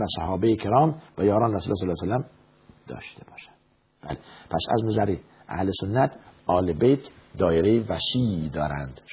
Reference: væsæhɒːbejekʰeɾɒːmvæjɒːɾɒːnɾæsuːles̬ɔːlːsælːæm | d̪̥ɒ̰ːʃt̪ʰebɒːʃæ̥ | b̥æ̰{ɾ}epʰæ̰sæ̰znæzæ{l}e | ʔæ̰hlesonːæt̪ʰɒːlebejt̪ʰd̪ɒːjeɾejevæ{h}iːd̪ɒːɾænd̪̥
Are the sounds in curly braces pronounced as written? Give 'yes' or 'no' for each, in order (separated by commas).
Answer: no, no, no